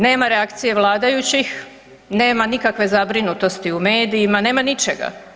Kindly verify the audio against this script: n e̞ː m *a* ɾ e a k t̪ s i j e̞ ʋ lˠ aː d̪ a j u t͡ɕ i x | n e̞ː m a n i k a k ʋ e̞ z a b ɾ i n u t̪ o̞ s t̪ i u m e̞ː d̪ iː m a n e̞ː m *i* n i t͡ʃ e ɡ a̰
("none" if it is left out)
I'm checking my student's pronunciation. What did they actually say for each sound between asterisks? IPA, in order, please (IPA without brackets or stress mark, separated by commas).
a, a